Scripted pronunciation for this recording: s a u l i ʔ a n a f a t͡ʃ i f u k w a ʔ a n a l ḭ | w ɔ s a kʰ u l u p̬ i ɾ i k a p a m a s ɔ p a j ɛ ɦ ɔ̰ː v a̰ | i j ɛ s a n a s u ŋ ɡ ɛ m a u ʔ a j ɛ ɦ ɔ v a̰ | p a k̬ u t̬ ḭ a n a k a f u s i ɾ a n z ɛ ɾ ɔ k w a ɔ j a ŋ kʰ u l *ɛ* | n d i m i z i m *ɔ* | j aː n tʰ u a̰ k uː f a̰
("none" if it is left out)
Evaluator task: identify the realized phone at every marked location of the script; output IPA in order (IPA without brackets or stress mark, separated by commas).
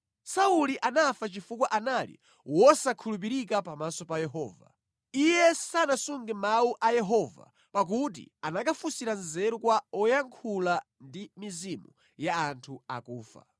a, u